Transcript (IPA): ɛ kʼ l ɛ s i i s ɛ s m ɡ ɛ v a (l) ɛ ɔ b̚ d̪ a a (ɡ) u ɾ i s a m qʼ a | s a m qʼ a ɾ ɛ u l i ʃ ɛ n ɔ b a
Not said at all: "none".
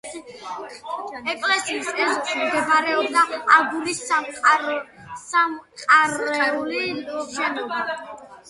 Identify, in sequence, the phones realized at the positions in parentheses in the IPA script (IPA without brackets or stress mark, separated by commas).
ɾ, ɡ